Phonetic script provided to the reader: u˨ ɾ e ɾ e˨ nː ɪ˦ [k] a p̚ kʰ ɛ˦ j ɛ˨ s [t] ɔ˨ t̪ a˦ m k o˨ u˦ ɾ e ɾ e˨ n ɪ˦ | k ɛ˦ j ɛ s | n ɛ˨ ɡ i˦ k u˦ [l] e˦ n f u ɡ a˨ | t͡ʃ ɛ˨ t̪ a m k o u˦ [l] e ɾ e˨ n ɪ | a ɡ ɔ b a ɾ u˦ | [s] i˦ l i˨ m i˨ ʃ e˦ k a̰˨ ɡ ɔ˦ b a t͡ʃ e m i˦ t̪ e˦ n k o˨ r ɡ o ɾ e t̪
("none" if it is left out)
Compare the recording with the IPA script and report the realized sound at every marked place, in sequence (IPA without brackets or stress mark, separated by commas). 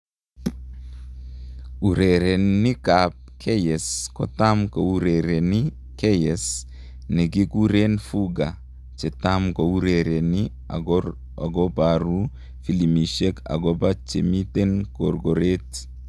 k, k, ɾ, ɾ, f